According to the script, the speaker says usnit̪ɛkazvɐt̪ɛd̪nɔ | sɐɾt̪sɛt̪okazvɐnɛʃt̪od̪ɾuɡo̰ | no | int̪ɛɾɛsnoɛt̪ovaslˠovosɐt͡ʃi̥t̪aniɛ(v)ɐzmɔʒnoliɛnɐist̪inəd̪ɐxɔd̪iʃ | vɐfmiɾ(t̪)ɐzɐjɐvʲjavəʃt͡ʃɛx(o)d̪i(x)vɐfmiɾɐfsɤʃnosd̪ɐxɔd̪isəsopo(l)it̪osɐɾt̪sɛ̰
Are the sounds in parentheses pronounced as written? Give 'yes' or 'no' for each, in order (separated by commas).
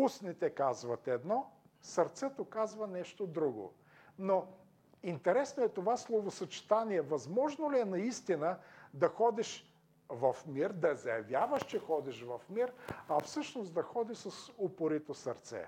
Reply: yes, no, no, no, no